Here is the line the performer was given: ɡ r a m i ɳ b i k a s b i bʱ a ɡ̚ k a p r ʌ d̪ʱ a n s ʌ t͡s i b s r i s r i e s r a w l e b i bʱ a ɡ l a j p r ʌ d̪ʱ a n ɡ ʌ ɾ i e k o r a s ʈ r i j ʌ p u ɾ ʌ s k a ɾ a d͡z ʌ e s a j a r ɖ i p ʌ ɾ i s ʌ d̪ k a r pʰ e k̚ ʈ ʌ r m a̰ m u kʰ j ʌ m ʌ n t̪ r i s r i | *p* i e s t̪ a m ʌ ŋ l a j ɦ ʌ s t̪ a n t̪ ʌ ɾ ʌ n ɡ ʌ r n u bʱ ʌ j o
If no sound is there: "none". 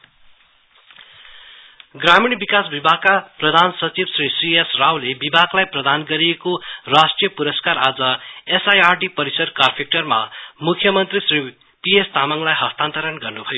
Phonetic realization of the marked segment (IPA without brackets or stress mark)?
p